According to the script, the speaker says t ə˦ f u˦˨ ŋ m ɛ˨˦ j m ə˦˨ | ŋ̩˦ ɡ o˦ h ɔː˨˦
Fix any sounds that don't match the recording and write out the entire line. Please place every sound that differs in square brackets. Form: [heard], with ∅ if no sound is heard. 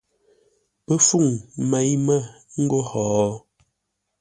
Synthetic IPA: [p] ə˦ f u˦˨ ŋ m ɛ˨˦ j m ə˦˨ | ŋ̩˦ ɡ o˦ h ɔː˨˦